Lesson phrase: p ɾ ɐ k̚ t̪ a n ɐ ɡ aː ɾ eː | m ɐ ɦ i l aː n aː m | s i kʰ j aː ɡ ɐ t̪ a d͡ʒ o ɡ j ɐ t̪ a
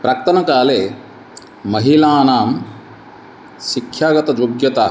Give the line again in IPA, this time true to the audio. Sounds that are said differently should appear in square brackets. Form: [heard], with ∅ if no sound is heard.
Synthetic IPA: p ɾ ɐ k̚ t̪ [ɐ] n ɐ [k] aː [l] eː | m ɐ ɦ i l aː n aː m | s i kʰ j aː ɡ ɐ t̪ [ɐ] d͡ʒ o ɡ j ɐ t̪ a